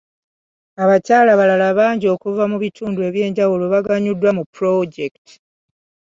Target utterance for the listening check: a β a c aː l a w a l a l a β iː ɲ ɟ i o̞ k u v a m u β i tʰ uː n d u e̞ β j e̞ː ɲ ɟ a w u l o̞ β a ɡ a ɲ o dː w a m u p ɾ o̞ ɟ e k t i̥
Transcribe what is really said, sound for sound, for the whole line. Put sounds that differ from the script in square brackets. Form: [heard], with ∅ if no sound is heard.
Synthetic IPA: a β a c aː l a [β] a l a l a β [aː] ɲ ɟ i o̞ k u v a m u β i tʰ uː n d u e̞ β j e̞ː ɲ ɟ a w u l o̞ β a ɡ a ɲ [u] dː w a m u p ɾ o̞ ɟ e k t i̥